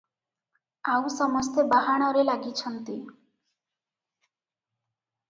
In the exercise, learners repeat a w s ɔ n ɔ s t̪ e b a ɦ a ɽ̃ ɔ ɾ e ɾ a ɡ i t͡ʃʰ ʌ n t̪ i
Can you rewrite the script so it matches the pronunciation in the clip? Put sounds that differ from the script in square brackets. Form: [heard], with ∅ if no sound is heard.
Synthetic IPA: a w s ɔ [m] ɔ s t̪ e b a ɦ a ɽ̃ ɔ ɾ e [l] a ɡ i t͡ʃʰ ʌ n t̪ i